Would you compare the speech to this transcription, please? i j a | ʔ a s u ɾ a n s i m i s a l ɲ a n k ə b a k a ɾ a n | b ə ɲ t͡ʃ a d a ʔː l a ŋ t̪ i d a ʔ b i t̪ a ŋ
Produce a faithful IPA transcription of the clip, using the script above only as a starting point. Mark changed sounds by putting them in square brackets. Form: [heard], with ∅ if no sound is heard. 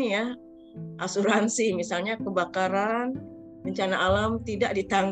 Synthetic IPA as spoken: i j a | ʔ a s u ɾ a n s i m i s a l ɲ a [∅] k ə b a k a ɾ a n | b ə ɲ t͡ʃ a [n] a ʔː l a [m] t̪ i d a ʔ [d] i t̪ a ŋ